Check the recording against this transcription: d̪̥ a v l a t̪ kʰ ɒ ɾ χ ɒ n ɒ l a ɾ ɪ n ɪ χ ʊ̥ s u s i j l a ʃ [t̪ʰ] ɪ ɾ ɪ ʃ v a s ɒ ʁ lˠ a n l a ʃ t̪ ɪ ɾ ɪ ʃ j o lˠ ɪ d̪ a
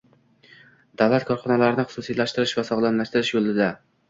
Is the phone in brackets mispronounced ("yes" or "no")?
yes